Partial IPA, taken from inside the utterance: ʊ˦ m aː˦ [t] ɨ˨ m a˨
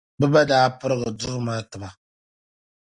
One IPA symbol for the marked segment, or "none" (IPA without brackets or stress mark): t